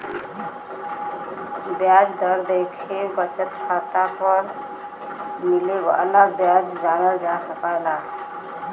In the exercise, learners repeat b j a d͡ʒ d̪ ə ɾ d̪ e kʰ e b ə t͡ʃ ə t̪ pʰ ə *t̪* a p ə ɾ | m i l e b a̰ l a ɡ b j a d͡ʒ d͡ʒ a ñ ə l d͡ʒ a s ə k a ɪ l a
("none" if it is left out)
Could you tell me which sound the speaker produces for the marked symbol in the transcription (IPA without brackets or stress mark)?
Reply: t̪